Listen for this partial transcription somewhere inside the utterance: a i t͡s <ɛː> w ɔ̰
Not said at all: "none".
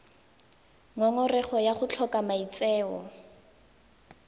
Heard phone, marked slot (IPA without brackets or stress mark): ɛː